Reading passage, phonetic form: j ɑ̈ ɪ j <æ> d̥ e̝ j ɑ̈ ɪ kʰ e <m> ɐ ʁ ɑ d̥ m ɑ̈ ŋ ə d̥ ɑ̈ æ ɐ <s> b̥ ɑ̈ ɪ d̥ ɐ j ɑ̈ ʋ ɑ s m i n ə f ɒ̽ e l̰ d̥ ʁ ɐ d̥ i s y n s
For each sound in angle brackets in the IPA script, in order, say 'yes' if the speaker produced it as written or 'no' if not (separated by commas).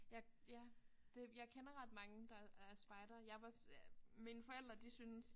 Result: yes, no, yes